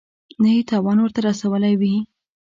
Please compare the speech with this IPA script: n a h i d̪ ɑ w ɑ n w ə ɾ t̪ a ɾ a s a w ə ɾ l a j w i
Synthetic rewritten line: n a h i t̪ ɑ w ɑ n w ə ɾ t̪ a ɾ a s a w ə l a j w i